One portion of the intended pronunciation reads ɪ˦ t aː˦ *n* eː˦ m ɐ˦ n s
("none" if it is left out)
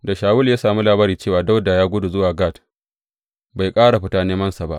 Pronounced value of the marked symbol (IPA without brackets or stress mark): n